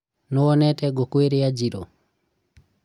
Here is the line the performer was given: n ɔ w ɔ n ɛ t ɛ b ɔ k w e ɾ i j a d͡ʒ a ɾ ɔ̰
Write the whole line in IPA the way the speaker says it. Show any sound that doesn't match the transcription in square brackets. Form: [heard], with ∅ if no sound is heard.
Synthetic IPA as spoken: n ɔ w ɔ n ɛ t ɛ [ɡ] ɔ k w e ɾ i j a d͡ʒ [i] ɾ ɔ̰